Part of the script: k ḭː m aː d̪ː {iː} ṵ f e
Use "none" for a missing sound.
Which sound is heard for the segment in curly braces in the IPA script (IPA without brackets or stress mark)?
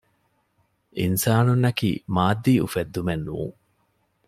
iː